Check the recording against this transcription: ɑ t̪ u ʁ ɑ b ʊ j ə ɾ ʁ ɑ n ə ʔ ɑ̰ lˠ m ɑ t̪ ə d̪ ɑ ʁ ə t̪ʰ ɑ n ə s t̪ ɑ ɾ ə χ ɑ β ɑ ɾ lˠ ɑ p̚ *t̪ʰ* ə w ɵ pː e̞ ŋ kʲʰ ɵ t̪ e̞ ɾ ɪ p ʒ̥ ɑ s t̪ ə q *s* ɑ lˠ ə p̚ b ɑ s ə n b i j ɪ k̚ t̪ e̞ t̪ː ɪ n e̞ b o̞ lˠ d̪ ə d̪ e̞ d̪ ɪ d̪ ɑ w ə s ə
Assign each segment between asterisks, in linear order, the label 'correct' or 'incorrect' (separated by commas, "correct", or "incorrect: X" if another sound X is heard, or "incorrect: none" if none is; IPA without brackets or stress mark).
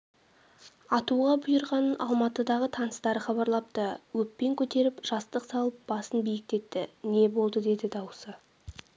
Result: incorrect: t̪, correct